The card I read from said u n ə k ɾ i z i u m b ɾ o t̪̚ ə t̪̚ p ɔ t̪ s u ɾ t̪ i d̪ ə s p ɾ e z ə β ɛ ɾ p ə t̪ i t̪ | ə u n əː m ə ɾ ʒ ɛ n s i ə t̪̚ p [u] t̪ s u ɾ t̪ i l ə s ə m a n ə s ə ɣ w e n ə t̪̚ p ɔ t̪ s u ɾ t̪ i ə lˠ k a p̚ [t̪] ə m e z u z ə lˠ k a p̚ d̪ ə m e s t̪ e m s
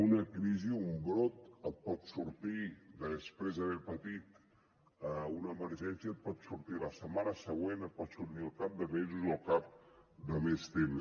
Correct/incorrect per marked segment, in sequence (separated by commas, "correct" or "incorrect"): incorrect, incorrect